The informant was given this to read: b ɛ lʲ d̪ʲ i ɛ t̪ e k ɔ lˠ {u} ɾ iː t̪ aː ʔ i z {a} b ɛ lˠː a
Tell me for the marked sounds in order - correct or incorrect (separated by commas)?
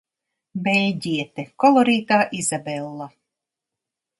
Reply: incorrect, correct